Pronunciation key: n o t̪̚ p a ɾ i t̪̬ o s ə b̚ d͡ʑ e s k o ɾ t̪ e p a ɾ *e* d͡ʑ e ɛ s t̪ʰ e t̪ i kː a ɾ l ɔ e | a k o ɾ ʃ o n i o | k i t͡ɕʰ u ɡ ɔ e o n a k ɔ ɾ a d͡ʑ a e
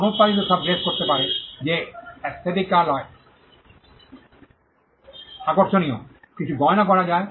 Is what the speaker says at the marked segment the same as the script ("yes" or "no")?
yes